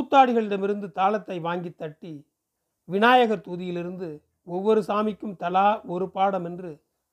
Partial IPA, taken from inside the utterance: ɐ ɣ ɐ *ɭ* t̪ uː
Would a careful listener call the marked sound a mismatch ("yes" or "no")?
yes